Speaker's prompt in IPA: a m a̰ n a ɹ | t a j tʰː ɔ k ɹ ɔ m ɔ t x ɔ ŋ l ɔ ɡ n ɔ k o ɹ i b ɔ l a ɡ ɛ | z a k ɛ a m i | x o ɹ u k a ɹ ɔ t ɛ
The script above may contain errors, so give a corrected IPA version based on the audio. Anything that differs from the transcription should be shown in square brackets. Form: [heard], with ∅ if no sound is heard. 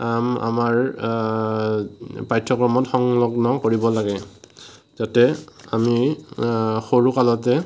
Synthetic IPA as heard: a m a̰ [m] a ɹ | [p] a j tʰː ɔ k ɹ ɔ m ɔ t x ɔ ŋ l ɔ ɡ n ɔ k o ɹ i b ɔ l a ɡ ɛ | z a [t] ɛ a m i | x o ɹ u k a [l] ɔ t ɛ